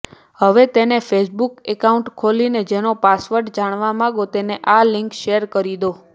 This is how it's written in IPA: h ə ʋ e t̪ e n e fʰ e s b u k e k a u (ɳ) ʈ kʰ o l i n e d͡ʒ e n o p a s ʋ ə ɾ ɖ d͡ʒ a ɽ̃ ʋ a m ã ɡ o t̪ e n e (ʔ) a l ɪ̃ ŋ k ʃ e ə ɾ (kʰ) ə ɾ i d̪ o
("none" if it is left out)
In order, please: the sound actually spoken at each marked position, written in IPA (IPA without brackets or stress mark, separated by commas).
ɳ, ʔ, k